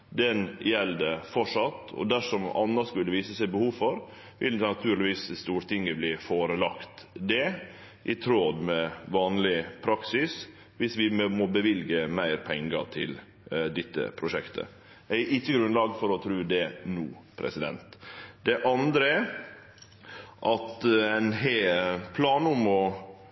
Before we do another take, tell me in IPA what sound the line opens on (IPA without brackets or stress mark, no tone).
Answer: d̪